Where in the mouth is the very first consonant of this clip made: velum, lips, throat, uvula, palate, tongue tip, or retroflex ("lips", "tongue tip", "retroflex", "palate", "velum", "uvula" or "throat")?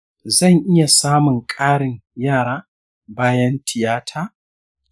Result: tongue tip